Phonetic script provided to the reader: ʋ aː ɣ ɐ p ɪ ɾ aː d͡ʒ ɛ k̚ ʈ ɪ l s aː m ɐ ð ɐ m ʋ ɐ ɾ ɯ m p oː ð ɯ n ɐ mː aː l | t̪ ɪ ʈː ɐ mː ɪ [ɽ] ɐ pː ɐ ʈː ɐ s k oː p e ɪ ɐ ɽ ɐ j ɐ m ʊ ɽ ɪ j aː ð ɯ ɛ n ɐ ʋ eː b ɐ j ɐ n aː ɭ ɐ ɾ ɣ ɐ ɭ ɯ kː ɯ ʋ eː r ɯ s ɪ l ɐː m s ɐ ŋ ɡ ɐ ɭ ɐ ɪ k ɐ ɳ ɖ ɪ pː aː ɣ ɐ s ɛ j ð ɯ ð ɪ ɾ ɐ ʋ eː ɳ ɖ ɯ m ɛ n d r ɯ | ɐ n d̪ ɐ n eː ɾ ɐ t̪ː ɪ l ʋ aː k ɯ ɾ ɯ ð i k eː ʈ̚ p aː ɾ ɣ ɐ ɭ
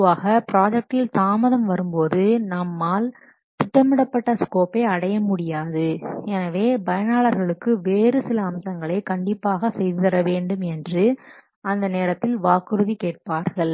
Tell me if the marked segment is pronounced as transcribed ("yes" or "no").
yes